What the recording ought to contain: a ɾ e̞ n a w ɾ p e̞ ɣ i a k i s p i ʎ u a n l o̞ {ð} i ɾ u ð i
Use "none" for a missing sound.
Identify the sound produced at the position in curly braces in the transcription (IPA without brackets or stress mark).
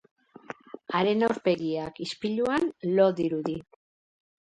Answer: ð